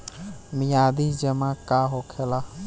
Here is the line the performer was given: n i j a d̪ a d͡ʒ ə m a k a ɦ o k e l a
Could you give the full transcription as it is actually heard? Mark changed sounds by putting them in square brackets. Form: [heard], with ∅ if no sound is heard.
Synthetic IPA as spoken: [m] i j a d̪ [i] d͡ʒ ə m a k a ɦ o [kʰ] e l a

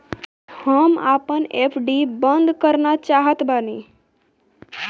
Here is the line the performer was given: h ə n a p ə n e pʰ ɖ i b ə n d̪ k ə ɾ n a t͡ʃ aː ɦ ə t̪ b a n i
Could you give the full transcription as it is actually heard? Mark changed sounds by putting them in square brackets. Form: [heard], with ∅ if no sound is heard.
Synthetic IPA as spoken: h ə [m] a p ə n e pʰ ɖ i b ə n d̪ k ə ɾ n a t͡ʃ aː ɦ ə t̪ b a n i

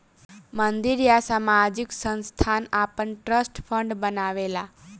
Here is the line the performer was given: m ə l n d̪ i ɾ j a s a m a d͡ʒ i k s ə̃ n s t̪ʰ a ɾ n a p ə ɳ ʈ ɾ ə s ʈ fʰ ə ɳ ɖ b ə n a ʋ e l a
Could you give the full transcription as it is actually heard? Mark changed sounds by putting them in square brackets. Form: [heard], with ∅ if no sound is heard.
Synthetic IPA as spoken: m ə [∅] n d̪ i ɾ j a s a m a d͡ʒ i k s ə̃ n s t̪ʰ a [∅] n a p ə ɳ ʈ ɾ ə s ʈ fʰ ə ɳ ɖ b ə n a ʋ e l a

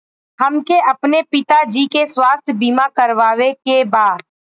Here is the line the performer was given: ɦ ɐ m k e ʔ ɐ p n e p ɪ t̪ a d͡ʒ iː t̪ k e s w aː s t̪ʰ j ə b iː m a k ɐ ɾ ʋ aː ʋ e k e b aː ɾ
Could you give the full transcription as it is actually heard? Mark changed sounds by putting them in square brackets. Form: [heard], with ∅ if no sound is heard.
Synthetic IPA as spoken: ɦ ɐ m k e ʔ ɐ p n e p ɪ t̪ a d͡ʒ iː [∅] k e s w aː s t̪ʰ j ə b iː m a k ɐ ɾ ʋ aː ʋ e k e b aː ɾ

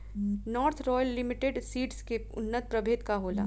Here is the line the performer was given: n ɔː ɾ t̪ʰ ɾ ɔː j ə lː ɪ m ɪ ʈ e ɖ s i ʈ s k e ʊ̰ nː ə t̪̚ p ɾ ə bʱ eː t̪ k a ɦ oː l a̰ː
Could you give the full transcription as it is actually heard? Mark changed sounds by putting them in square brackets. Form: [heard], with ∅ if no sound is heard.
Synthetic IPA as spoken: n ɔː ɾ t̪ʰ ɾ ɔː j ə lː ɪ m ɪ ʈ e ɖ s [iː] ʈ s k e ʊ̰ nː ə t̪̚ p ɾ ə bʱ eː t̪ k a ɦ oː l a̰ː

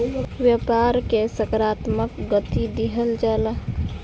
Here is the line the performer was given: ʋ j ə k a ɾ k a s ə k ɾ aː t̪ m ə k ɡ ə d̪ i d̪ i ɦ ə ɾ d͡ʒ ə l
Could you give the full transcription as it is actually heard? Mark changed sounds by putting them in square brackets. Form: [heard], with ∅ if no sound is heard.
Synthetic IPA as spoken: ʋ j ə [p] a ɾ k [e] s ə k ɾ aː t̪ m ə k ɡ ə [t̪] i d̪ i ɦ ə [l] d͡ʒ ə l

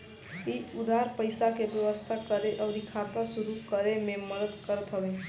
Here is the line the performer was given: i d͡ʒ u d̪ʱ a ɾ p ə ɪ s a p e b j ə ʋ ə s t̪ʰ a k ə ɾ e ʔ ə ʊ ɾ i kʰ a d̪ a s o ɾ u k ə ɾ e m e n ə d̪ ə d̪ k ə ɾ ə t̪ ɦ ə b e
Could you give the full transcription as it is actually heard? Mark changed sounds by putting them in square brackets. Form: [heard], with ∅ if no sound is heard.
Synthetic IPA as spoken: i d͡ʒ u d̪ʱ a ɾ p ə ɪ s a [k] e b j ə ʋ ə s t̪ʰ a k ə ɾ e ʔ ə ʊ ɾ i kʰ a [t̪] a s [u] ɾ u k ə ɾ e m e [m] ə d̪ ə d̪ k ə ɾ ə t̪ ɦ ə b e

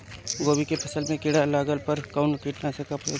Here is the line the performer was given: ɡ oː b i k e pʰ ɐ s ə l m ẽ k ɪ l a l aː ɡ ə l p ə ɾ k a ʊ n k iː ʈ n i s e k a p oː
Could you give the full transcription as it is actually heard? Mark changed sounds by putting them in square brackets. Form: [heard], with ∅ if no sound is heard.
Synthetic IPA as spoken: ɡ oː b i k e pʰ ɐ s ə l m ẽ k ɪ [ɽ] a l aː ɡ ə l p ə ɾ k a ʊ n k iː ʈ n [a] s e k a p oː

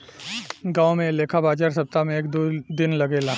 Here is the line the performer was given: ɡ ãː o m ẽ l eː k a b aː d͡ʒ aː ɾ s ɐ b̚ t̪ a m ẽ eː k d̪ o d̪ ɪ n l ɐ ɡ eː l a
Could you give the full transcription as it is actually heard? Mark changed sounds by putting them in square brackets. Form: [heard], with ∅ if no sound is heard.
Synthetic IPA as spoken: ɡ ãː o m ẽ l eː [kʰ] a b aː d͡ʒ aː ɾ s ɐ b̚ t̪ a m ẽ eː k d̪ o d̪ ɪ n l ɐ ɡ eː l a

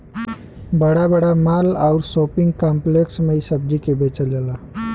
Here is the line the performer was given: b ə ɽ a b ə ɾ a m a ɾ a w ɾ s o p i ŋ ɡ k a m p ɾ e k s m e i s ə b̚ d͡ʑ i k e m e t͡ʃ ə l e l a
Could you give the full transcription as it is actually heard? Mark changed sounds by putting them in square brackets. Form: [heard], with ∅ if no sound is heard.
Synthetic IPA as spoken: b ə ɽ a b ə [ɽ] a m a [l] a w ɾ s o p i ŋ ɡ k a m p [l] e k s m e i s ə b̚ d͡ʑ i k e [b] e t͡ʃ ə l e l a

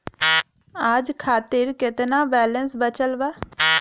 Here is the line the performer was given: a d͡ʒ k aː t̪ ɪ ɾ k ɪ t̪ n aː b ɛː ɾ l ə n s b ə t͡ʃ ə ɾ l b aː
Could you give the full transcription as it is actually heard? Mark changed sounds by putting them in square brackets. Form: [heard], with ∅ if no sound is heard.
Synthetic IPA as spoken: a d͡ʒ [kʰ] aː t̪ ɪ ɾ k ɪ t̪ n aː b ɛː [∅] l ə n s b ə t͡ʃ ə [∅] l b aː

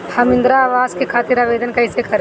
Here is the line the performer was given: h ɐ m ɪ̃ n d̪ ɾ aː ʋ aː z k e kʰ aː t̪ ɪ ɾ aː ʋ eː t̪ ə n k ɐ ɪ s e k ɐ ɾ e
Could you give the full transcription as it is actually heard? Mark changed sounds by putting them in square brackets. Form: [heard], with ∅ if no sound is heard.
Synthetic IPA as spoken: h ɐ m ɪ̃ n d̪ ɾ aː ʋ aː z k e kʰ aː t̪ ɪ ɾ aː ʋ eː [d̪] ə n k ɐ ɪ s e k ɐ ɾ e

